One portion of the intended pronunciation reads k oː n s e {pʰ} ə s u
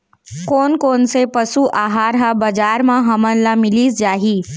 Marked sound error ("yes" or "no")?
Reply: yes